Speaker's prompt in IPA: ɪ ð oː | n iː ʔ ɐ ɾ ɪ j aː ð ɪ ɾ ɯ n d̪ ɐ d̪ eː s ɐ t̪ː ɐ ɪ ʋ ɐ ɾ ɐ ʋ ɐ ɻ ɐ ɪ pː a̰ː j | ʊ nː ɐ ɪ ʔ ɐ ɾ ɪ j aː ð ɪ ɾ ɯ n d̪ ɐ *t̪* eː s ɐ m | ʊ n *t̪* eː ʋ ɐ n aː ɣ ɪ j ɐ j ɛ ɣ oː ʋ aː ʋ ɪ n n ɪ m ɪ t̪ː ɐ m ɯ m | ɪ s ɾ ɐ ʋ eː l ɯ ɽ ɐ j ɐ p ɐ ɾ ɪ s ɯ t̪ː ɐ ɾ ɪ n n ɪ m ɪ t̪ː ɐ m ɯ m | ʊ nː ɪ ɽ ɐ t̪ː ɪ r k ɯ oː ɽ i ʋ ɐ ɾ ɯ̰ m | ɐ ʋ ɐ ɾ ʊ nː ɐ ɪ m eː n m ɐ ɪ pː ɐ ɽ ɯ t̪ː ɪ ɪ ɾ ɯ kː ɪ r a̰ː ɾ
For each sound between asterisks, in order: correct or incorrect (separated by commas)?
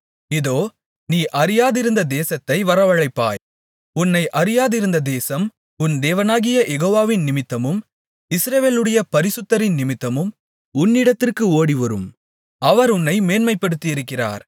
incorrect, incorrect